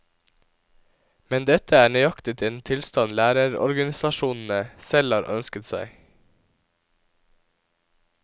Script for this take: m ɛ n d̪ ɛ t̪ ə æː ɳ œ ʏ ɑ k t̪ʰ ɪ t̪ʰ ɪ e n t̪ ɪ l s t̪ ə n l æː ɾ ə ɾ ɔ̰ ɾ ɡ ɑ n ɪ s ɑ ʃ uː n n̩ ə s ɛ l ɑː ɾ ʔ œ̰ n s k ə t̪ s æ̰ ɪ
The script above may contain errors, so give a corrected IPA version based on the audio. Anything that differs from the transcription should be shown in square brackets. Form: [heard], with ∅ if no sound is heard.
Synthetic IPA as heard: m ɛ n d̪ ɛ t̪ ə æː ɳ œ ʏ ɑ k [t̪] ɪ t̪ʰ ɪ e n [t̪ʰ] ɪ l s t̪ [ɑ] n l æː ɾ ə ɾ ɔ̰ ɾ ɡ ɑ n ɪ s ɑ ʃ uː n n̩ ə s ɛ l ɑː ɾ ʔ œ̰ n s k ə t̪ s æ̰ ɪ